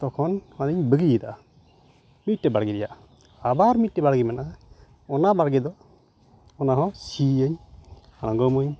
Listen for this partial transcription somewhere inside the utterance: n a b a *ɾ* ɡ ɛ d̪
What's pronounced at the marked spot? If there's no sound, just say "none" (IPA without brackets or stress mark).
ɽ